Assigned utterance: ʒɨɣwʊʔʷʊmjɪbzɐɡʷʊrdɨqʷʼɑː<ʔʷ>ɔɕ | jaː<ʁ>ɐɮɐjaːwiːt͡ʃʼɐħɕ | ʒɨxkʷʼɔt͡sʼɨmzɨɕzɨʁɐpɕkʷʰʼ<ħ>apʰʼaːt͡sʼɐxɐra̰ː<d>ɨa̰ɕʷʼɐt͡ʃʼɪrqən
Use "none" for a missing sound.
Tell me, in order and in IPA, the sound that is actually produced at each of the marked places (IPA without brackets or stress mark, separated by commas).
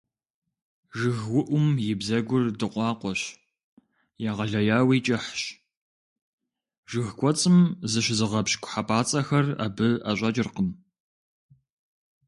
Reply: qʷ, ʁ, ħ, b